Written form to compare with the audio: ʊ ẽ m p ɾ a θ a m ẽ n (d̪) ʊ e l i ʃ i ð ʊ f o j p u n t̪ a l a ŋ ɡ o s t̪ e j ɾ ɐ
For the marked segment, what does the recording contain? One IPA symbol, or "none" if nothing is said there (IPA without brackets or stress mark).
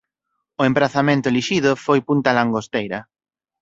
t̪